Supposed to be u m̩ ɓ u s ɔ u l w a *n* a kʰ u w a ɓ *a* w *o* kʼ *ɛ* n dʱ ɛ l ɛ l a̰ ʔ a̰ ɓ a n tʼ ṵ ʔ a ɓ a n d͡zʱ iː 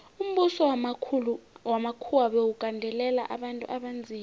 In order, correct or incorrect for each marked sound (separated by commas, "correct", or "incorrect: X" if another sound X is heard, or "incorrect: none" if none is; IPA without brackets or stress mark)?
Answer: incorrect: m, incorrect: e, incorrect: u, incorrect: a